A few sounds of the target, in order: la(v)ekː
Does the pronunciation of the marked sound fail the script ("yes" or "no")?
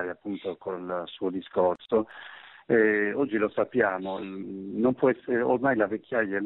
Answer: no